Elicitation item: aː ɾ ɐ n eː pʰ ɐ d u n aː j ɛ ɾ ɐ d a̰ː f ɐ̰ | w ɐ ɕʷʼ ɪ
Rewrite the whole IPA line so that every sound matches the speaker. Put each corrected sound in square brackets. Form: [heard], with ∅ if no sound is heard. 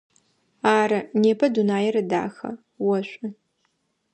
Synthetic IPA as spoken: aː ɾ ɐ n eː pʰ ɐ d u n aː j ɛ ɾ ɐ d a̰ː [x] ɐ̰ | w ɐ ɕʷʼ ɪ